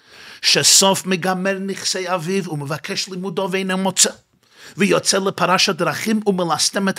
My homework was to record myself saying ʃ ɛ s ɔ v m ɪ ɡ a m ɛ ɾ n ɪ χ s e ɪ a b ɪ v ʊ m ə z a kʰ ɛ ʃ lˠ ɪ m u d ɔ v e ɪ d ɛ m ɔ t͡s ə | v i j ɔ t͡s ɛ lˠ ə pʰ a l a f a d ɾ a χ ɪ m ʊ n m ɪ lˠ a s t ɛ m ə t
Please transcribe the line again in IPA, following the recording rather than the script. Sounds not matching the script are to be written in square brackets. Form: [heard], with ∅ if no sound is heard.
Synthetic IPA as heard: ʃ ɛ s ɔ [f] m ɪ ɡ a m ɛ ɾ n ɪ χ s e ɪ a [v] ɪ v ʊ m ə [v] a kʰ ɛ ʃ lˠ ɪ m u d ɔ v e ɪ [n] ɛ m ɔ t͡s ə | v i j ɔ t͡s ɛ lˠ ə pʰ a [ɾ] a [ʃ] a d ɾ a χ ɪ m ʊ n m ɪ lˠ a s t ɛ m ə t